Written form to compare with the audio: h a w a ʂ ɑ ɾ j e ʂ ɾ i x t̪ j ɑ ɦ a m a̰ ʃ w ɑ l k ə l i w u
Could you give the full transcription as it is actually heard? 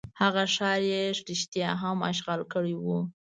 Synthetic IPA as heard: h a ɣ a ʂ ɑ ɾ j e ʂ ɾ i ʃ t̪ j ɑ ɦ a m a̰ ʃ ɣ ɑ l k ə ɽ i w u

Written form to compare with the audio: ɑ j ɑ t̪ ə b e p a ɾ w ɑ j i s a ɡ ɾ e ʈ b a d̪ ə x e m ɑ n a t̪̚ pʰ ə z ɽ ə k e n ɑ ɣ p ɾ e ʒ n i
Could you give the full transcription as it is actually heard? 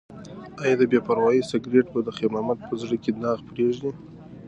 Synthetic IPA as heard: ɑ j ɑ d̪ ə b e p a ɾ w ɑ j i s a ɡ ɾ e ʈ b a d̪ ə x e m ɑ m a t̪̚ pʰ ə z ɽ ə k e n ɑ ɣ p ɾ e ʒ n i

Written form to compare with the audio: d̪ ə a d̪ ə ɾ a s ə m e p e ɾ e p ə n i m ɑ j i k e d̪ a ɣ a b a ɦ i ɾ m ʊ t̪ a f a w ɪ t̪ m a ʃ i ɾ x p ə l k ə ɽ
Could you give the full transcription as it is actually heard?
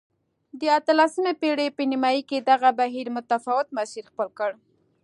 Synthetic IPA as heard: d̪ ə a t̪ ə l a s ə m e p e ɽ e p ə n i m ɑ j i k e d̪ a ɣ a b a ɦ i ɾ m ʊ t̪ a f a w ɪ t̪ m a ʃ i ɾ x p ə l k ə ɽ

